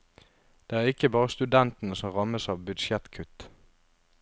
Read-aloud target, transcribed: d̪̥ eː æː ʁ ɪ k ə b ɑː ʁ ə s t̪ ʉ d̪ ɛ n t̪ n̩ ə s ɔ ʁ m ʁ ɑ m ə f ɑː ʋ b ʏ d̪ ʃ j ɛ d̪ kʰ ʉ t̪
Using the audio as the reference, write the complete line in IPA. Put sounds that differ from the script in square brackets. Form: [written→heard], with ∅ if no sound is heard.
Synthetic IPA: d̪̥ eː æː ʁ ɪ k ə b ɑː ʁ ə s t̪ ʉ d̪ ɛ n t̪ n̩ ə s ɔ [ʁ→∅] m ʁ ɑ m ə [f→s] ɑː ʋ b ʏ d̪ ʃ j ɛ [d̪→t̪] kʰ ʉ t̪